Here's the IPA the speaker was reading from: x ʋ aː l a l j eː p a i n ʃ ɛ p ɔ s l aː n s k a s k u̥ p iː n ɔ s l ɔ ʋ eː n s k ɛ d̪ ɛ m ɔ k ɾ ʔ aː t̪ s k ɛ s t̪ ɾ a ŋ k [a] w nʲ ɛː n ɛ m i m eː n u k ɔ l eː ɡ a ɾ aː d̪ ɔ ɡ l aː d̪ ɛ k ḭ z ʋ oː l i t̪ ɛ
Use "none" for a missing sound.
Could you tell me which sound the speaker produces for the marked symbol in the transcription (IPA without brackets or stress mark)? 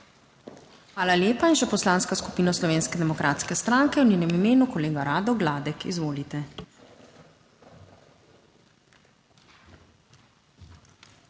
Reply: ɛ